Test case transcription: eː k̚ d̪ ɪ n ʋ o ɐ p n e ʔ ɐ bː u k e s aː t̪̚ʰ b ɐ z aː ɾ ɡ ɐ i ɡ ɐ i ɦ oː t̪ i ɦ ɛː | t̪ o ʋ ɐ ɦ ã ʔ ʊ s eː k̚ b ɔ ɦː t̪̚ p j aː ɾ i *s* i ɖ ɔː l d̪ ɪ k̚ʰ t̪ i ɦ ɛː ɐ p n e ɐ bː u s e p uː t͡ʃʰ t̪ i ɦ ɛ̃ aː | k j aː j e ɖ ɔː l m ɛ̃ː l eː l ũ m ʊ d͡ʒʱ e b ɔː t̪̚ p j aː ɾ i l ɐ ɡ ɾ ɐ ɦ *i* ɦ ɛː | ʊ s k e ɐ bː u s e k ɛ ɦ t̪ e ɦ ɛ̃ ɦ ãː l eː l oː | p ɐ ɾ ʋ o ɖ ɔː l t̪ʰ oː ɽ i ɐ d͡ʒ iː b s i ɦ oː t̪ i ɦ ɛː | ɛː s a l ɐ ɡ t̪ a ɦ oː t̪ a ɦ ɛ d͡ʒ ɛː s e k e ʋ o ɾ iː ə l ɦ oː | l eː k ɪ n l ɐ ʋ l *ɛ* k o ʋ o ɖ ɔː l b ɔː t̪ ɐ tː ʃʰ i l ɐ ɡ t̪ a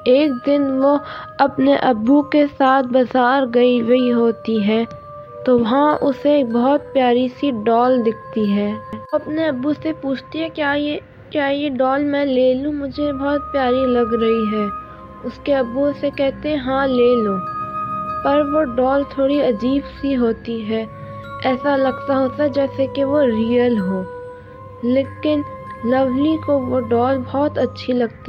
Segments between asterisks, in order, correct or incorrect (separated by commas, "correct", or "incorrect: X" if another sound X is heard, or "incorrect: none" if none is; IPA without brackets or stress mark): correct, correct, incorrect: i